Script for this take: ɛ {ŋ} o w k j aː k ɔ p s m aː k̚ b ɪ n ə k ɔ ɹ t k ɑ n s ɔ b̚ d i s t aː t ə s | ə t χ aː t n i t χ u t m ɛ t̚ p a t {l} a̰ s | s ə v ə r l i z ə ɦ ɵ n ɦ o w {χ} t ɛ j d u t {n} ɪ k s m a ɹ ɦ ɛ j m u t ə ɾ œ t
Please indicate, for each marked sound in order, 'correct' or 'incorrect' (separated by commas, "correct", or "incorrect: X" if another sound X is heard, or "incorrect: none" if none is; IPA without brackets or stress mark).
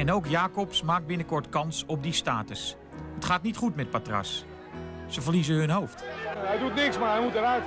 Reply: incorrect: n, incorrect: r, incorrect: f, correct